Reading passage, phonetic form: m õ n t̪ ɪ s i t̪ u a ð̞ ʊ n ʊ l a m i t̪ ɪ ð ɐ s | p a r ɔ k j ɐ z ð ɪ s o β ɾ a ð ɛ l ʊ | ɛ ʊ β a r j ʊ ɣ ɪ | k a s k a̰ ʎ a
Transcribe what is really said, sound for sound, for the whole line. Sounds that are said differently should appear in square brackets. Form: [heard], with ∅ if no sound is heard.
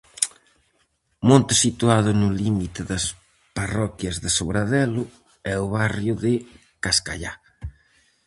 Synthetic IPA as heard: m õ n t̪ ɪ s i t̪ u a ð̞ ʊ n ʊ l [i] m i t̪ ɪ ð ɐ s | p a r ɔ k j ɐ z ð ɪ s o β ɾ a ð ɛ l ʊ | ɛ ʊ β a r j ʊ [ð] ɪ | k a s k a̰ ʎ a